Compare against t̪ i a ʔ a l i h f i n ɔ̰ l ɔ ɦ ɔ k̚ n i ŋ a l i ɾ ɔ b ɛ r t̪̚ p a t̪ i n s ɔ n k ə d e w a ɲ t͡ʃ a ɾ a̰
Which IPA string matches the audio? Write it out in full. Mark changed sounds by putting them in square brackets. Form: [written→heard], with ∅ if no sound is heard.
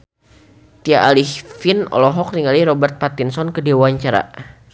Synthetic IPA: t̪ i a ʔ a l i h f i n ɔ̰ l ɔ ɦ ɔ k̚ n i ŋ a l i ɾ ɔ b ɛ r t̪̚ p a t̪ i n s ɔ n k ə d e w a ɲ t͡ʃ a ɾ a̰